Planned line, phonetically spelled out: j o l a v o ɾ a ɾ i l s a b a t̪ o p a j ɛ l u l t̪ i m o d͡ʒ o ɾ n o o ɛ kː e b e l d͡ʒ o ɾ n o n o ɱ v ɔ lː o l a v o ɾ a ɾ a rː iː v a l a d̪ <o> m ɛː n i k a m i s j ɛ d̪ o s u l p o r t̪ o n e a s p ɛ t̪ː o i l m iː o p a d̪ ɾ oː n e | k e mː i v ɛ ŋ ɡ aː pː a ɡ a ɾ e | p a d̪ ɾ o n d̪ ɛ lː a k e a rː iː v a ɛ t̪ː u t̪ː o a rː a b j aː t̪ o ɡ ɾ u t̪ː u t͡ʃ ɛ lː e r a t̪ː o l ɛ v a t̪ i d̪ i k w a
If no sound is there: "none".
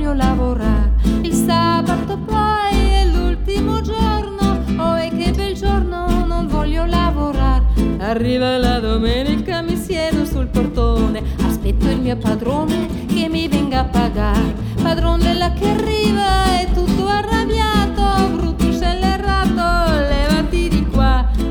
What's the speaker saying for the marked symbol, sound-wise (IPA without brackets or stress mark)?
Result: o